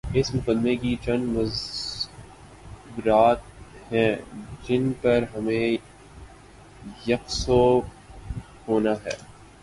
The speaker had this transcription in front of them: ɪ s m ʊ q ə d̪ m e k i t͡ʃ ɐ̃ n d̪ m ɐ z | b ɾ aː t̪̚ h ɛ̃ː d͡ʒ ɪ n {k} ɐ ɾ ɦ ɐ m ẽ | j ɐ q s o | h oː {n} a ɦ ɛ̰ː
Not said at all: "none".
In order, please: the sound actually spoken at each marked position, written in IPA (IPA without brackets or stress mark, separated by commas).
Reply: p, n